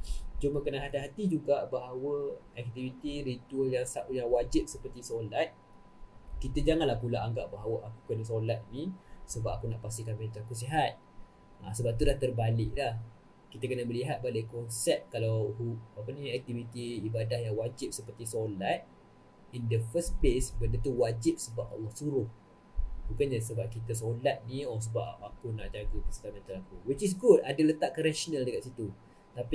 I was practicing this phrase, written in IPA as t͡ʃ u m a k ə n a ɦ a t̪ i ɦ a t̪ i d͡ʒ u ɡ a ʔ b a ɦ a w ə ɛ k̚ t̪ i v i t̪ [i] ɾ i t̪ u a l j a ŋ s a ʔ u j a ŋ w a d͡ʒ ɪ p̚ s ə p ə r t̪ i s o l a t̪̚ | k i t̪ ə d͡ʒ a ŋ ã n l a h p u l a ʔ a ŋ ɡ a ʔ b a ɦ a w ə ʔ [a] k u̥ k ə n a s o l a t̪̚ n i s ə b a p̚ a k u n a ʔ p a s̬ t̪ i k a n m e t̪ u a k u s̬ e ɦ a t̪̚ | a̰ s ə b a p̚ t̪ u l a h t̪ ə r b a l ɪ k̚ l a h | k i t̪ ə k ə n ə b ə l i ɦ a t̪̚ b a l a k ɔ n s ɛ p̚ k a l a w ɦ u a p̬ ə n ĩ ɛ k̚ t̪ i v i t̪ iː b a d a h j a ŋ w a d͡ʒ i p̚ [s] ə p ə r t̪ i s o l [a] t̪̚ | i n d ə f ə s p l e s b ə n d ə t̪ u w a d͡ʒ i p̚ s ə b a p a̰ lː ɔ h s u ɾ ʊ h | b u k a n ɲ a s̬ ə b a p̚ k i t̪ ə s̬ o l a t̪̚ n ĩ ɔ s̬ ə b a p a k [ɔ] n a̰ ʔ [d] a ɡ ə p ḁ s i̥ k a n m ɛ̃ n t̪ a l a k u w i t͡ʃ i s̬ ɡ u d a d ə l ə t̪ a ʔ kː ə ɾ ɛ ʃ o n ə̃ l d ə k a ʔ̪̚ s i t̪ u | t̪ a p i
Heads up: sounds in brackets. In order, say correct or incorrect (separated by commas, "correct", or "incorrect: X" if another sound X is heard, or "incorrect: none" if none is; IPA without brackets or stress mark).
correct, correct, correct, correct, incorrect: u, incorrect: d͡ʒ